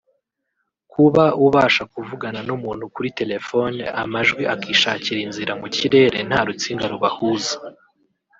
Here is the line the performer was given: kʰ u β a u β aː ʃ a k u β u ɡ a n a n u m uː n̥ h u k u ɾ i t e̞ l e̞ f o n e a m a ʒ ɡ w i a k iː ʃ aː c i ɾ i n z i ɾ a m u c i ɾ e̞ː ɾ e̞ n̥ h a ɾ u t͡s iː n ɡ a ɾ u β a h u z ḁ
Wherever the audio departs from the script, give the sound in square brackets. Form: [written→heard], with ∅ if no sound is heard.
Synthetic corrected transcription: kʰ u β a u β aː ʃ a k u [β→v] u ɡ a n a n u m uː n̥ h u k u ɾ i t e̞ l e̞ f o n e a m a ʒ ɡ w i a k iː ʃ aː c i ɾ i n z i ɾ a m u c i ɾ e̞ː ɾ e̞ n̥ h a ɾ u t͡s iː [n→ŋ] ɡ a ɾ u β a h u z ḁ